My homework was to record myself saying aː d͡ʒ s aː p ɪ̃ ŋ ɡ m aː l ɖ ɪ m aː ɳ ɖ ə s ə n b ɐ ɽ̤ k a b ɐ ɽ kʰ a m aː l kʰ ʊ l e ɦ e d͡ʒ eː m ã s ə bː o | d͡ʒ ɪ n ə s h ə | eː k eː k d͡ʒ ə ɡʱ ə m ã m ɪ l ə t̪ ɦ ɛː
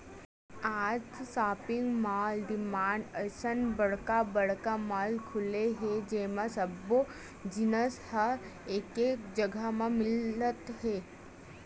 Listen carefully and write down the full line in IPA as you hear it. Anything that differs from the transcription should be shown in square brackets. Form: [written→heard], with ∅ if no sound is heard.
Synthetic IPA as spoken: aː d͡ʒ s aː p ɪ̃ ŋ ɡ m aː l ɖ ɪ m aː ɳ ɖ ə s ə n b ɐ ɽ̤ k a b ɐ ɽ [kʰ→k] a m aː l kʰ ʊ l e ɦ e d͡ʒ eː m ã s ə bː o | d͡ʒ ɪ n ə s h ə | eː k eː k d͡ʒ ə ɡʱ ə m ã m ɪ l ə t̪ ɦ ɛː